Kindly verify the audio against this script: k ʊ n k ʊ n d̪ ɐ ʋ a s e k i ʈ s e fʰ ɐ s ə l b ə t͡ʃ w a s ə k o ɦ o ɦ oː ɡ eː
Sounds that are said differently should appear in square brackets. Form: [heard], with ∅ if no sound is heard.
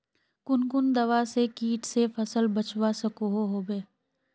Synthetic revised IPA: k ʊ n k ʊ n d̪ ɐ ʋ a s e k [iː] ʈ s e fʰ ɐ s ə l b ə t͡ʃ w a s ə k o ɦ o ɦ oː [b] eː